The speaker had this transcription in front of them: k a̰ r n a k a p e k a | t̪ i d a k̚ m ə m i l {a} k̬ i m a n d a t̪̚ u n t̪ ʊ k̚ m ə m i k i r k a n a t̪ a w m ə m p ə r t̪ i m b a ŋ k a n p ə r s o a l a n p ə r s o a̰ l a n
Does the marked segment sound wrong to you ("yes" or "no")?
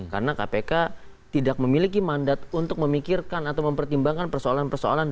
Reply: yes